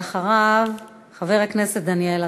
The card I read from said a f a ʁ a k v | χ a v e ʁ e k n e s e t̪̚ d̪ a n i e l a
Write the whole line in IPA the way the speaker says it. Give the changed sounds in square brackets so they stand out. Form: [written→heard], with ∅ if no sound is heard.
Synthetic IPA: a [f→χ] a ʁ a [k→∅] v | χ a v e ʁ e k n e s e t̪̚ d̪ a n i e l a